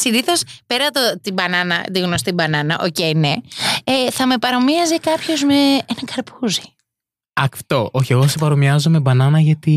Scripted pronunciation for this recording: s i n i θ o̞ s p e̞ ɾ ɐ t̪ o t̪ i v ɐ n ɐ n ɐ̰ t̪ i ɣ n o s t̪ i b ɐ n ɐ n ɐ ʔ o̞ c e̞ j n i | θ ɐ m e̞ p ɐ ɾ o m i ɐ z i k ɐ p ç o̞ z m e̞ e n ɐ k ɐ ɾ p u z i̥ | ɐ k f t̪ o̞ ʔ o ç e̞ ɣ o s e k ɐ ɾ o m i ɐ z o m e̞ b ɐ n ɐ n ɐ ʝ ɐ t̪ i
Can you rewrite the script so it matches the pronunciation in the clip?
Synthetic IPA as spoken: s i n i θ o̞ s p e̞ ɾ ɐ t̪ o t̪ i b ɐ n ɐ n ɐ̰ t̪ i ɣ n o s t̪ i b ɐ n ɐ n ɐ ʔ o̞ c e̞ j n e | θ ɐ m e̞ p ɐ ɾ o m i ɐ z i k ɐ p ç o̞ z m e̞ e n ɐ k ɐ ɾ p u z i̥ | ɐ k f t̪ o̞ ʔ o ç e̞ ɣ o s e p ɐ ɾ o m i ɐ z o m e̞ b ɐ n ɐ n ɐ ʝ ɐ t̪ i